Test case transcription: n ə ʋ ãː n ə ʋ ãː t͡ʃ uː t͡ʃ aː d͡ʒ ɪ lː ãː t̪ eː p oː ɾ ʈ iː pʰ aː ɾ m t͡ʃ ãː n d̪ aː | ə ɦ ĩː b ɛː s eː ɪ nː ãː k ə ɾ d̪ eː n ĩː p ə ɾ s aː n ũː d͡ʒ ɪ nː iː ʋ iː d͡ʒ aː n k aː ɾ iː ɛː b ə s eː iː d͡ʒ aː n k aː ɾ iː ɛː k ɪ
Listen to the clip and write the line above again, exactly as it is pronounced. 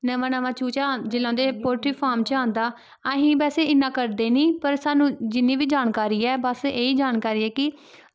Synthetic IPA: n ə ʋ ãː n ə ʋ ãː t͡ʃ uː t͡ʃ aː d͡ʒ ɪ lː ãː d̪ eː p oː ɾ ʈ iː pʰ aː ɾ m t͡ʃ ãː n d̪ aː | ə ɦ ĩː b ɛː s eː ɪ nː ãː k ə ɾ d̪ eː n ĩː p ə ɾ s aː n ũː d͡ʒ ɪ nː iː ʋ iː d͡ʒ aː n k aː ɾ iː ɛː b ə s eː iː d͡ʒ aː n k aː ɾ iː ɛː k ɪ